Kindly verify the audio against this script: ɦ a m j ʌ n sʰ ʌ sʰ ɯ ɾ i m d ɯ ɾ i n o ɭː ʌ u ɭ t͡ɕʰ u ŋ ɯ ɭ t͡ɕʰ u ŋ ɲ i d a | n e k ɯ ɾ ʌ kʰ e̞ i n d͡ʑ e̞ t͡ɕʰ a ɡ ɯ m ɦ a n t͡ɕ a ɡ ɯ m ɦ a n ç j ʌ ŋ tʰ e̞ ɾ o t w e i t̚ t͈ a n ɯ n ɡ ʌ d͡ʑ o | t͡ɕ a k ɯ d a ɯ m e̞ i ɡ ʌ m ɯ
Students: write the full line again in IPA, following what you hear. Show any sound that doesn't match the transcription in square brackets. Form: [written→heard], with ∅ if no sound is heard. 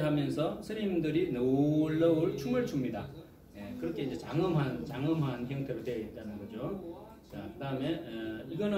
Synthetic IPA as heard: ɦ a m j ʌ n sʰ ʌ sʰ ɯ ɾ i m d ɯ ɾ i n o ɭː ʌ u ɭ t͡ɕʰ u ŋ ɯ ɭ t͡ɕʰ u [ŋ→m] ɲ i d a | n e k ɯ ɾ ʌ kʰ e̞ i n d͡ʑ e̞ [t͡ɕʰ→t͡ɕ] a [ɡ→ŋ] ɯ m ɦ a n t͡ɕ a [ɡ→ŋ] ɯ m ɦ a n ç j ʌ ŋ tʰ e̞ ɾ o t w e i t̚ t͈ a n ɯ n ɡ ʌ d͡ʑ o | t͡ɕ a k ɯ d a ɯ m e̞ i ɡ ʌ [m→n] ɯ